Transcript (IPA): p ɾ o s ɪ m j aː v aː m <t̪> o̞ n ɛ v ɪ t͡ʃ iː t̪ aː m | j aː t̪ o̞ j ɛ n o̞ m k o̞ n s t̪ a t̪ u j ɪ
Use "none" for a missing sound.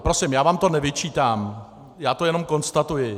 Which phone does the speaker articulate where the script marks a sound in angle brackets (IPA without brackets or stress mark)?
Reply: t̪